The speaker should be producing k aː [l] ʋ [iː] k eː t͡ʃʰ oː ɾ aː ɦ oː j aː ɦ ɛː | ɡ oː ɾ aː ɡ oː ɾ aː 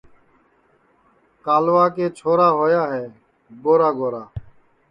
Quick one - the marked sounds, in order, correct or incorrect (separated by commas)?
correct, incorrect